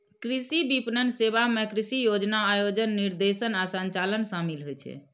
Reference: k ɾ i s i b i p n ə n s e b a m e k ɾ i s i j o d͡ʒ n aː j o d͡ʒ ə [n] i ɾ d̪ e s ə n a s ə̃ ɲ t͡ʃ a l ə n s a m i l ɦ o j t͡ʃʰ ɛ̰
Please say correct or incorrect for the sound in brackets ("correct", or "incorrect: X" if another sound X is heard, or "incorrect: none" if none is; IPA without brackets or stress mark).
incorrect: nː